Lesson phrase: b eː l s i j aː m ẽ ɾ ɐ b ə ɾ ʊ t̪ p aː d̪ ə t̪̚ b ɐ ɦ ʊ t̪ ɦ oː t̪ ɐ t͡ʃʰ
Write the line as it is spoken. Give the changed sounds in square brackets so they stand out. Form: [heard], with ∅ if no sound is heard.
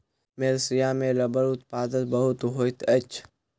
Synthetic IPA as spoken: [m] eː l s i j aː m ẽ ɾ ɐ b ə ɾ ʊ t̪ p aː d̪ ə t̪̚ b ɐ ɦ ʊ t̪ ɦ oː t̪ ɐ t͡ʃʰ